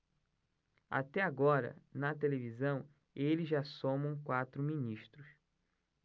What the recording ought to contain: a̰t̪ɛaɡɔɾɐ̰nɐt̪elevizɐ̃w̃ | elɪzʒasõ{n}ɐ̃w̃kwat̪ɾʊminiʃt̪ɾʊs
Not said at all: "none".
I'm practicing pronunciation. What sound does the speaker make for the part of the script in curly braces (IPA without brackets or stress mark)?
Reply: m